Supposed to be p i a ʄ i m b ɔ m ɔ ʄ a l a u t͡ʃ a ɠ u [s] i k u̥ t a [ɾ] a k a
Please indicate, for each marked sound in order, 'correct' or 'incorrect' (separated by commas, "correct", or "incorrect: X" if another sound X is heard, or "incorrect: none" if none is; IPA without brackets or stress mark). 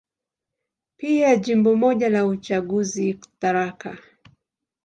incorrect: z, correct